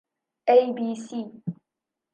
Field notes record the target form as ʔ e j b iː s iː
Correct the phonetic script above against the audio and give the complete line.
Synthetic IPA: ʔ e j b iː s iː